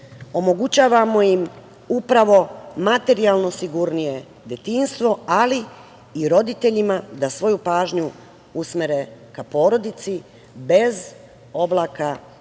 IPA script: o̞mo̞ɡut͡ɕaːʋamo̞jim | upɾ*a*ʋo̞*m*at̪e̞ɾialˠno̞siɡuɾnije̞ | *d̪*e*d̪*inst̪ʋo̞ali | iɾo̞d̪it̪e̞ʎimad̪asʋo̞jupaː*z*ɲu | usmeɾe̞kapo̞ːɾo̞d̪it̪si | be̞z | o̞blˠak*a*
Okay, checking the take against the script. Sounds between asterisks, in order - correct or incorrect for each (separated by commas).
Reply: correct, correct, correct, incorrect, incorrect, correct